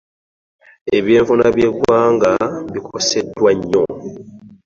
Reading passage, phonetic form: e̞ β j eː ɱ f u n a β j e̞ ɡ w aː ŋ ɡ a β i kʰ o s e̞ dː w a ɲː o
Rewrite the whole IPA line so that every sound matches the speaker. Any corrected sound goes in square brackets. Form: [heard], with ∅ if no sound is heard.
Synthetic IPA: e̞ β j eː ɱ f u n a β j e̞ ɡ w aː ŋ ɡ a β i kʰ o s e̞ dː w a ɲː o